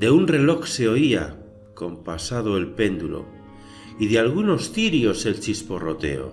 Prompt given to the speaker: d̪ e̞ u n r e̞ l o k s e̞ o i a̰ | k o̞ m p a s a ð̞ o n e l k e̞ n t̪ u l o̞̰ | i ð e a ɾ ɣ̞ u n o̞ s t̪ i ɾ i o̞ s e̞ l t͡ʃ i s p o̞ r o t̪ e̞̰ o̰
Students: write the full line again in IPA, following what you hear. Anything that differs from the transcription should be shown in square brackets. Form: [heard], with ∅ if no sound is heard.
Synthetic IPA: d̪ e̞ u n r e̞ l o k s e̞ o i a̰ | k o̞ m p a s a ð̞ o [∅] e l [p] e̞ n [d̪] u l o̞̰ | i ð e a [l] ɣ̞ u n o̞ s t̪ i ɾ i o̞ s e̞ l t͡ʃ i s p o̞ r o t̪ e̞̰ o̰